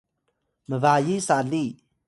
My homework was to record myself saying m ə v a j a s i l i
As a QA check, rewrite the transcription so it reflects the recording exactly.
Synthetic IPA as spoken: m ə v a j i s a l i